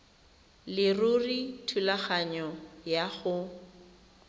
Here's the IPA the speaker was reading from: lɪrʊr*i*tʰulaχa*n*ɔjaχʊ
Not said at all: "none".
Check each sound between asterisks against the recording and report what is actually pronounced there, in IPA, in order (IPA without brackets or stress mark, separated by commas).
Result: i, ɲ